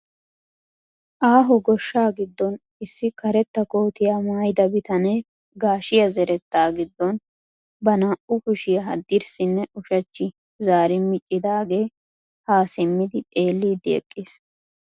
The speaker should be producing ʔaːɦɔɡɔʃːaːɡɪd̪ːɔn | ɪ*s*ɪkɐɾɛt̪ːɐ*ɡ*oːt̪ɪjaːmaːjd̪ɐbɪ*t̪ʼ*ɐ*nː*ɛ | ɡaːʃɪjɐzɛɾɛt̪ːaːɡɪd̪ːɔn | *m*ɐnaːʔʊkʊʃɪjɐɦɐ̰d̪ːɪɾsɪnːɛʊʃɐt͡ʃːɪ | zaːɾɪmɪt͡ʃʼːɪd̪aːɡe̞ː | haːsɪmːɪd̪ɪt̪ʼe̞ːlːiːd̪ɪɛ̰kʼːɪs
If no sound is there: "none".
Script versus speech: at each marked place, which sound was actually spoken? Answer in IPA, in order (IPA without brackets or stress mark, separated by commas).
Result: sː, k, t̪, n, b